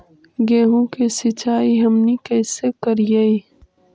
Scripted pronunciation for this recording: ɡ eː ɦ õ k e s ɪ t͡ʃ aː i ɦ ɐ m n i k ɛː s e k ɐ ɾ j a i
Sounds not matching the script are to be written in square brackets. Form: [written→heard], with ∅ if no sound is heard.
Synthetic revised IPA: ɡ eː ɦ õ k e s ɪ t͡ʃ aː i ɦ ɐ m n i k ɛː s e k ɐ ɾ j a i